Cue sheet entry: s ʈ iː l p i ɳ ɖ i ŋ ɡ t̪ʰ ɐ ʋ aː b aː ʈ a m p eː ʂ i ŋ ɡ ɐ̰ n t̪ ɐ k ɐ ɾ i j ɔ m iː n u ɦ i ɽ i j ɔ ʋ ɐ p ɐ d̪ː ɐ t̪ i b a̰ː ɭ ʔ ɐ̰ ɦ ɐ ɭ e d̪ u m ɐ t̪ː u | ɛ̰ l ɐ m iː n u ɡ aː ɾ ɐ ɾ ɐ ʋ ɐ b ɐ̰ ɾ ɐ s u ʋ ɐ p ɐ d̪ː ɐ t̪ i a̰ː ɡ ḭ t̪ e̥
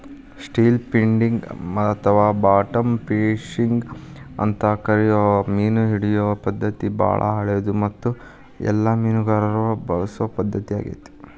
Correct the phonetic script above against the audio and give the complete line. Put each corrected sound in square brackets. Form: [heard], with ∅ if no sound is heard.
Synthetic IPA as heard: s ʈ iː l p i ɳ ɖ i ŋ ɡ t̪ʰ ɐ ʋ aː b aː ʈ [ɐ] m p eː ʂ i ŋ ɡ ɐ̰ n t̪ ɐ k ɐ ɾ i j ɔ m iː n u ɦ i ɽ i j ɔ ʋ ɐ p ɐ d̪ː ɐ t̪ i b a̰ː ɭ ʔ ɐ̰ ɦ ɐ ɭ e d̪ u m ɐ t̪ː u | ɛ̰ [lː] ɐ m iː n u ɡ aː ɾ ɐ ɾ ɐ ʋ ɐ b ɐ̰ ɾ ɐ s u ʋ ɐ p ɐ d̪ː ɐ t̪ i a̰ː ɡ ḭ t̪ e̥

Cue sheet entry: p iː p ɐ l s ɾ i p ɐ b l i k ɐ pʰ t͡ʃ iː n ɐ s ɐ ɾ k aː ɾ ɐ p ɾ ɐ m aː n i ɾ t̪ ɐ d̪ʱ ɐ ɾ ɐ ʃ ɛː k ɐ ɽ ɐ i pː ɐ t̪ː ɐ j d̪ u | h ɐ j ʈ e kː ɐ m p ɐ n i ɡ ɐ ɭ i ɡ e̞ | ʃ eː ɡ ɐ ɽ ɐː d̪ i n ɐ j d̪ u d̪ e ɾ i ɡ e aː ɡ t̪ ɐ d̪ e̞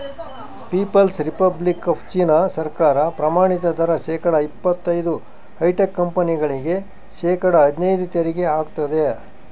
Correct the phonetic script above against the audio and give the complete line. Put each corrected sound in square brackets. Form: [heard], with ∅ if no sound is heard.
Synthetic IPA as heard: p iː p ɐ l s ɾ i p ɐ b l i k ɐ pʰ t͡ʃ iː n ɐ s ɐ ɾ k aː ɾ ɐ p ɾ ɐ m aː [ɳ] i [∅] t̪ ɐ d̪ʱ ɐ ɾ ɐ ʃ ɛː k ɐ ɽ ɐ i pː ɐ t̪ː ɐ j d̪ u | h ɐ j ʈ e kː ɐ m p ɐ n i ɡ ɐ ɭ i ɡ e̞ | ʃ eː [k] ɐ ɽ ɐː d̪ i n ɐ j d̪ u [t̪] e ɾ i ɡ e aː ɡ t̪ ɐ d̪ e̞

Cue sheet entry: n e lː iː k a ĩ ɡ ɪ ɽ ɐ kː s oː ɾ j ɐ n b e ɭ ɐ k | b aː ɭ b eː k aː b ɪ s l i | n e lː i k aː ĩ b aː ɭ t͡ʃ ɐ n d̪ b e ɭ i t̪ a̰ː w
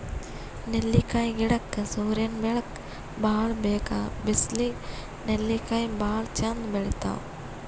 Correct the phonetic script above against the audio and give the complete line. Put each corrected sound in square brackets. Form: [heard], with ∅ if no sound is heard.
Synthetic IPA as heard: n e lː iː k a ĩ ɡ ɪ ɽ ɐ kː s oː ɾ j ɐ n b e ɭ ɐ k | b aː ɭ b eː k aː b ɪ s l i | n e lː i k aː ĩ b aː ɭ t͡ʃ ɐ n d̪ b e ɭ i t̪ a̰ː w

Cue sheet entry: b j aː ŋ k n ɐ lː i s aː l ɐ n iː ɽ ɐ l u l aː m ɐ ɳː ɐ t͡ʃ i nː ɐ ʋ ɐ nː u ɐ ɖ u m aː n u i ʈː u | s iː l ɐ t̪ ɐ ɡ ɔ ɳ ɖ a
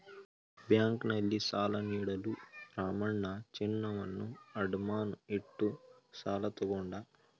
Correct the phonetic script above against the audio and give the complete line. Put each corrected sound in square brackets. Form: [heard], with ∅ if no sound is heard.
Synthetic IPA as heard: b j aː ŋ k n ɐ lː i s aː l ɐ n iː ɽ ɐ l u [ɾ] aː m ɐ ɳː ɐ t͡ʃ i nː ɐ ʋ ɐ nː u ɐ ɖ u m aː n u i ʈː u | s [aː] l ɐ t̪ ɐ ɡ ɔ ɳ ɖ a

